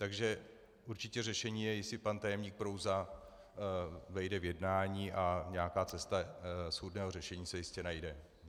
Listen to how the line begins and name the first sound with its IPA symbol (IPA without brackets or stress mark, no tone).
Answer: t̪